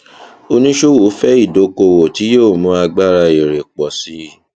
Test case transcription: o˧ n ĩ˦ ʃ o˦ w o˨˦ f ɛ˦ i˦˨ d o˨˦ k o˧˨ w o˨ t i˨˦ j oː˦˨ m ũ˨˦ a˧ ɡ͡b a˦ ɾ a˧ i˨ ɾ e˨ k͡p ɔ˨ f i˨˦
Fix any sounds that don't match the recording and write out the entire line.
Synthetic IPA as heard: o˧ n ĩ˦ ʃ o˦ w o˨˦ f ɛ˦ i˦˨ d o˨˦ k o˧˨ w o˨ t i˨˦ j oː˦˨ m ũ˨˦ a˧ ɡ͡b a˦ ɾ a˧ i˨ ɾ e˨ k͡p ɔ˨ s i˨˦